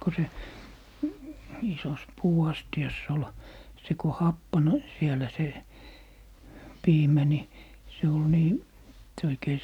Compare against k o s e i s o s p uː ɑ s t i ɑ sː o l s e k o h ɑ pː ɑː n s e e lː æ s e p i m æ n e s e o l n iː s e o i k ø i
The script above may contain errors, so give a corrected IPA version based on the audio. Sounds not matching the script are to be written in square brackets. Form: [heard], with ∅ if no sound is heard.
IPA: k o s e i s o s p uː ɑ s t i ɑ sː o l s e k o h ɑ pː [ɑ] n s [i] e [l] æ s e p [iː] m æ n [i] s e o l n iː s e o i k [e] i